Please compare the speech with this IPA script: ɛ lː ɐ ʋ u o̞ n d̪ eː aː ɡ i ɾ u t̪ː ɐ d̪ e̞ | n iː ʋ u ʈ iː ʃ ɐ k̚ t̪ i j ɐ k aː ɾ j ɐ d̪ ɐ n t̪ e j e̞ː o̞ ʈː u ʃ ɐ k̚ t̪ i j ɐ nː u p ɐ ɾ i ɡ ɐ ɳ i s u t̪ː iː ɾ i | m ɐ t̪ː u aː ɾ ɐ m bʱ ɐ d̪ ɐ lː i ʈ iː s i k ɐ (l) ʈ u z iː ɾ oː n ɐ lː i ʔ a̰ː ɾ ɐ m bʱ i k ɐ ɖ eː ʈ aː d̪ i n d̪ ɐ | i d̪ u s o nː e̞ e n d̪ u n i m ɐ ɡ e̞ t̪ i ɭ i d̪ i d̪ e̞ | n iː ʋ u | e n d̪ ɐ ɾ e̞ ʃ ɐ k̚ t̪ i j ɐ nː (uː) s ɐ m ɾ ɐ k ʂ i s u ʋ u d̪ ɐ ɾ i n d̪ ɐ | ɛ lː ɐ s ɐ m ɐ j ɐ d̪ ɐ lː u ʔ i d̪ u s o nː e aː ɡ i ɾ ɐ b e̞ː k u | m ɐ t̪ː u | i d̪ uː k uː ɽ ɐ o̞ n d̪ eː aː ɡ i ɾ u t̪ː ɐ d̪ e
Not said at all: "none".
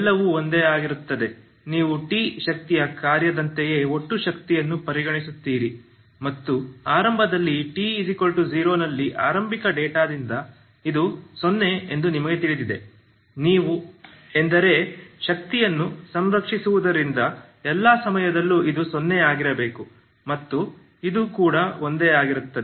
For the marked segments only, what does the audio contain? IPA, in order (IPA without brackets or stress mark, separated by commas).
l, u